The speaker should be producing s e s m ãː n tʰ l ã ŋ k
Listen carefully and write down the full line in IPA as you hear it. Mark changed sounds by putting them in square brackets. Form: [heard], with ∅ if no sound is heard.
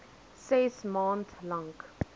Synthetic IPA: s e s m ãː n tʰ l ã ŋ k